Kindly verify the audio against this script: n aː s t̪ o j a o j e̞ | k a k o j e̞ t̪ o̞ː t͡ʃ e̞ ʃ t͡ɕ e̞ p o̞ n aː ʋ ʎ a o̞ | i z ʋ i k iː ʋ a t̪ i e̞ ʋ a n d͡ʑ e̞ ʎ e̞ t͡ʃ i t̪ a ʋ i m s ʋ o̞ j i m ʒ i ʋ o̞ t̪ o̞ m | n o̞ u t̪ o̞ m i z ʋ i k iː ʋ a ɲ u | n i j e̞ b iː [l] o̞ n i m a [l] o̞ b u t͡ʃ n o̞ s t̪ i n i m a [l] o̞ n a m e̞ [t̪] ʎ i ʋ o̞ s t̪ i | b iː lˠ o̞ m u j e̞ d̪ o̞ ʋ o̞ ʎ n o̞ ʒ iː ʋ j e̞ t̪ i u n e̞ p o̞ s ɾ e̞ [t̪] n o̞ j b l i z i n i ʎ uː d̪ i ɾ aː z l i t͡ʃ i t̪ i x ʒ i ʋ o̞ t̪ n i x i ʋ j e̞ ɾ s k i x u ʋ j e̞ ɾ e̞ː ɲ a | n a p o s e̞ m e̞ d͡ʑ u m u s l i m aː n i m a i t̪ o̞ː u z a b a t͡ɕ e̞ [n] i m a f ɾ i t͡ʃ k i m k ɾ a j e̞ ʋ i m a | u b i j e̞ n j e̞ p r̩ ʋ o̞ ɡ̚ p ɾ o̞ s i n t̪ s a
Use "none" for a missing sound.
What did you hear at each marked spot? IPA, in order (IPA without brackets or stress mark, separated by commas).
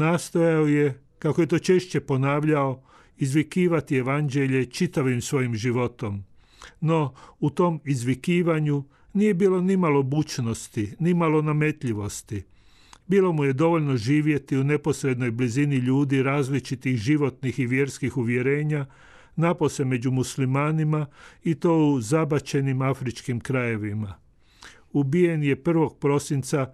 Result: l, l, l, t̪, d̪, n